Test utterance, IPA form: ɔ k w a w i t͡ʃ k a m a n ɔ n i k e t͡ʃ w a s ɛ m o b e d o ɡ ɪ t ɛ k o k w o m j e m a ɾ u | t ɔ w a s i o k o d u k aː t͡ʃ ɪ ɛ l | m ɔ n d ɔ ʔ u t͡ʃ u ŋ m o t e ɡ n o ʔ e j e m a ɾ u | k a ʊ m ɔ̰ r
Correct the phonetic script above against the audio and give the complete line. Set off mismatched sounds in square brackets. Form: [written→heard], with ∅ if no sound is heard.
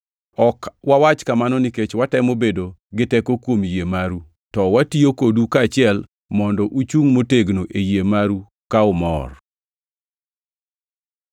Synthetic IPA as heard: ɔ k w a w [i→a] t͡ʃ k a m a n ɔ n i k e t͡ʃ w a [s→t] ɛ m o b e d o ɡ ɪ t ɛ k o k w o m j e m a ɾ u | t ɔ w a [s→t] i o k o d u k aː t͡ʃ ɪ ɛ l | m ɔ n d ɔ ʔ u t͡ʃ u ŋ m o t e ɡ n o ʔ e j e m a ɾ u | k a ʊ m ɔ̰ r